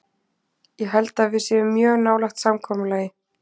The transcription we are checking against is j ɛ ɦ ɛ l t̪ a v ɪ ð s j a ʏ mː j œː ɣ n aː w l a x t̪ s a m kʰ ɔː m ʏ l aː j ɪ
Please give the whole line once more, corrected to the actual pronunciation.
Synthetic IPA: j ɛ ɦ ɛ l t̪ a v ɪ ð s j ɛ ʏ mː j œː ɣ n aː w l a x t̪ s a m kʰ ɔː m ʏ l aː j ɪ